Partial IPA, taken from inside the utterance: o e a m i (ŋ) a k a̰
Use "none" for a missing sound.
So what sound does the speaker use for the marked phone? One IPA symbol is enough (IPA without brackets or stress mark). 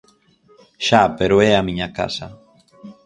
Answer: ɲ